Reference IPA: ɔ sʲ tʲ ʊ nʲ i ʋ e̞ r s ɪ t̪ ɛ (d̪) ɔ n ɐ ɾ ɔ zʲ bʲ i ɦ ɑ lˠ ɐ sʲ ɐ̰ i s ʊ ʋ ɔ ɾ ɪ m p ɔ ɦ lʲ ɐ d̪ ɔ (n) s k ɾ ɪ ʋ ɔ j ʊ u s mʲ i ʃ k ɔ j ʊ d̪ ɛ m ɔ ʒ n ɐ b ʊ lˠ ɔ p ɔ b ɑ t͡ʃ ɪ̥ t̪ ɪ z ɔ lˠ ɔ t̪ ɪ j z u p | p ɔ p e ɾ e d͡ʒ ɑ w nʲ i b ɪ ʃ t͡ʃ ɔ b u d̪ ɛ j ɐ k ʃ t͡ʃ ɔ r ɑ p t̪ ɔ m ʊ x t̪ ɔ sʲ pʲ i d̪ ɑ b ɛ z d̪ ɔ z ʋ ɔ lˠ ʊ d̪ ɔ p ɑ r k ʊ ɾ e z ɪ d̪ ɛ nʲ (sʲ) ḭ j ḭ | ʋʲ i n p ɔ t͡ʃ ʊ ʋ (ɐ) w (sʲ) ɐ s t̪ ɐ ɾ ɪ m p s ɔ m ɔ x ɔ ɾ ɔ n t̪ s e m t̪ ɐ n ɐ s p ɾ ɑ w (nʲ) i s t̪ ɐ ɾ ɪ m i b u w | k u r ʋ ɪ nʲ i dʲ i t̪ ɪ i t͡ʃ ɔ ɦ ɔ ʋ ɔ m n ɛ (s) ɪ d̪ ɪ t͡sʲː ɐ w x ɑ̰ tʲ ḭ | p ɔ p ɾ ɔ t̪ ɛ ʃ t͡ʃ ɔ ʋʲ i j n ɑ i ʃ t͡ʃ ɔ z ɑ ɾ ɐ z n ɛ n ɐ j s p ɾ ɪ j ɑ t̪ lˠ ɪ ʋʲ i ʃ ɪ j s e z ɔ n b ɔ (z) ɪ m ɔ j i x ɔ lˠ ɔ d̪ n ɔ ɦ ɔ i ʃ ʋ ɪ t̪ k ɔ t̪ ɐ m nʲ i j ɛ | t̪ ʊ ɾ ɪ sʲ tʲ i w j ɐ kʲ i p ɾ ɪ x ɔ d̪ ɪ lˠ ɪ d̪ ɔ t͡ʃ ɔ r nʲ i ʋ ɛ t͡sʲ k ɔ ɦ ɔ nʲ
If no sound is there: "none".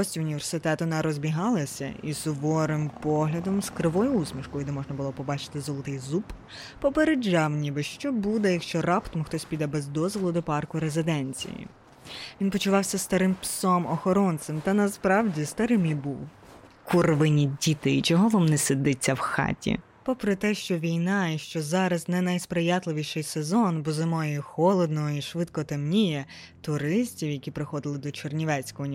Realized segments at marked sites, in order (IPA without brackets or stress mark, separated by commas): t̪, m, t͡sʲ, ɑ, sʲ, dʲ, s, z